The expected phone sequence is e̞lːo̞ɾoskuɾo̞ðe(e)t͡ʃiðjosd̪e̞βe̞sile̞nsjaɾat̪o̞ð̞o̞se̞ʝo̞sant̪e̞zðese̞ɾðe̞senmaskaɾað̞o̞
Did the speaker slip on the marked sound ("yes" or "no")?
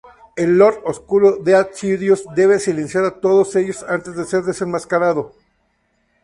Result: yes